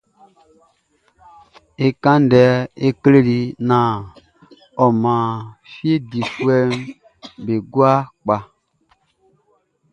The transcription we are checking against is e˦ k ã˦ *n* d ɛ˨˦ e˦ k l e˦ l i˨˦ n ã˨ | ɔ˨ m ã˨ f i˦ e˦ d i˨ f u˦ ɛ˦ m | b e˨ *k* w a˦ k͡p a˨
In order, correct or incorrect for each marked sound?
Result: correct, incorrect

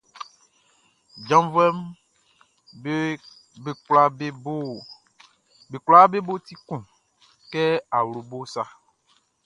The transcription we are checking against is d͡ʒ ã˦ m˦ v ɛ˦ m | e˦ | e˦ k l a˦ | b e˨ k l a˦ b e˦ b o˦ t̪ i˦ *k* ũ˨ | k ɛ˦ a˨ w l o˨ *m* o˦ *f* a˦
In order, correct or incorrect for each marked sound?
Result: correct, incorrect, incorrect

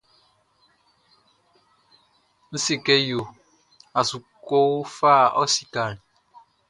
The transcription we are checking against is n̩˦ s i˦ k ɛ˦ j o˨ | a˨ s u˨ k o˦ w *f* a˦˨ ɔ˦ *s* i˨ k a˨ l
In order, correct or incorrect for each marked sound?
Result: correct, correct

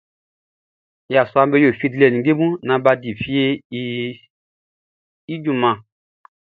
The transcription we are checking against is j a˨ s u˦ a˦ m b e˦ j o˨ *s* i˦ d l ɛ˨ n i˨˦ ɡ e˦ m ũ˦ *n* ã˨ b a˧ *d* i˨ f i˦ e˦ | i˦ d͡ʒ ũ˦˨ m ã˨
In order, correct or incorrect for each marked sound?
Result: incorrect, correct, correct

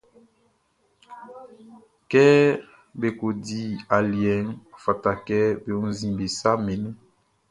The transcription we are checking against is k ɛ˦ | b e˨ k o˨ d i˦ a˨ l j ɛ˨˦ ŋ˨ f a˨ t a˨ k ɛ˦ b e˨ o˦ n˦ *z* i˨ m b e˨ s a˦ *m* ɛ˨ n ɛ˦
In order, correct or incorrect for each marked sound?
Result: correct, correct

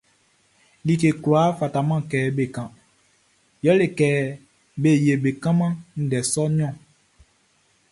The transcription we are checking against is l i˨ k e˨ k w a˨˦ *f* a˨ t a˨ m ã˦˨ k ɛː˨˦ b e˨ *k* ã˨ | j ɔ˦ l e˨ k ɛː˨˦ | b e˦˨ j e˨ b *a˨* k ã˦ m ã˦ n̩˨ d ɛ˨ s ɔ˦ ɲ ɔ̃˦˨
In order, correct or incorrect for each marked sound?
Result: correct, correct, incorrect

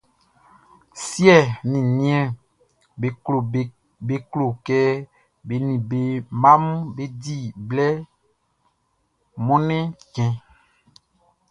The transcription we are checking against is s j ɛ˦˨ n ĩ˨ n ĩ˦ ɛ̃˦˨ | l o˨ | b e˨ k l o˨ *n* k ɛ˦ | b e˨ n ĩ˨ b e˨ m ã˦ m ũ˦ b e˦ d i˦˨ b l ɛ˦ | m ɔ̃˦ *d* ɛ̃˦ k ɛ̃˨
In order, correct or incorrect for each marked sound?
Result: incorrect, incorrect

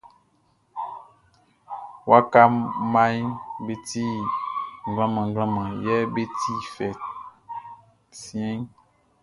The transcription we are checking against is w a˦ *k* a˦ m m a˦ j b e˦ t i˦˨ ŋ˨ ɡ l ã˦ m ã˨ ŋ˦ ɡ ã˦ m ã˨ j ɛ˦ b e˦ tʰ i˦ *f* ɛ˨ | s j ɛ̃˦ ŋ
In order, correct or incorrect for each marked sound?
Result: correct, correct

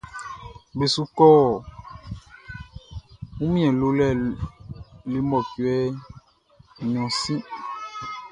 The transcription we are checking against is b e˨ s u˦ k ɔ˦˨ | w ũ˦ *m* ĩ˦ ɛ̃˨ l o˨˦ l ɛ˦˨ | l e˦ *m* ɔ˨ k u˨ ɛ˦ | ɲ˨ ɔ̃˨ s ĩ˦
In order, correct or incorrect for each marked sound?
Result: correct, correct

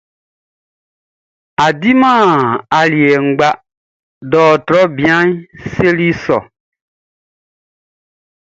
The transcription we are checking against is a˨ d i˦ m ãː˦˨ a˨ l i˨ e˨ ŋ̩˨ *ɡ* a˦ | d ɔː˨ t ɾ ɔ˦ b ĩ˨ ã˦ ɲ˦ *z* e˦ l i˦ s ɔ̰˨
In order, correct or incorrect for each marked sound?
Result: incorrect, incorrect

